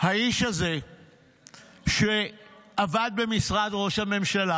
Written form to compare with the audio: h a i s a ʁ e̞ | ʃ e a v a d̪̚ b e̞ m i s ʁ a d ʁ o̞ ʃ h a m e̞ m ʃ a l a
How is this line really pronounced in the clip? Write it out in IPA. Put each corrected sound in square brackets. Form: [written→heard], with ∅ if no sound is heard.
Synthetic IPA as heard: h a i [s→ʃ] a [ʁ→z] e̞ | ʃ e a v a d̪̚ b e̞ m i s ʁ a d ʁ o̞ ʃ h a m e̞ m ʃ a l a